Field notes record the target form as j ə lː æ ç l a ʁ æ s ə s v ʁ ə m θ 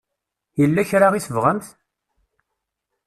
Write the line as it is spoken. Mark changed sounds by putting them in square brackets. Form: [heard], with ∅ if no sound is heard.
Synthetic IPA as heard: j ə lː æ ç [ɾ] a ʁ [i] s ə [∅] v ʁ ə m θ